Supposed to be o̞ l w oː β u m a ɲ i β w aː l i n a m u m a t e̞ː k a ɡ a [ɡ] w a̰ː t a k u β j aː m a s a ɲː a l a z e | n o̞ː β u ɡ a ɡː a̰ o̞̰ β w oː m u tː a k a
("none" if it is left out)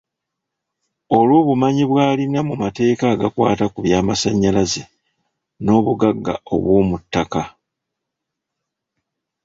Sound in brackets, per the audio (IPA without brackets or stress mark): k